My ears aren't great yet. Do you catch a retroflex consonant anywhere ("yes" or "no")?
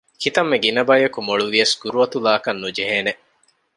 yes